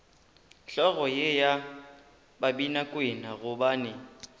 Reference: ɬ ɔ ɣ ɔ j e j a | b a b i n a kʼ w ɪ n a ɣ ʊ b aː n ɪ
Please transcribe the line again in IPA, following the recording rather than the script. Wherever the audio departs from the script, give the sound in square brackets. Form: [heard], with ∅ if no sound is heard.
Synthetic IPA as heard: ɬ ɔ ɣ ɔ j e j a | b a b i n a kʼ w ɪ n a ɣ ʊ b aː n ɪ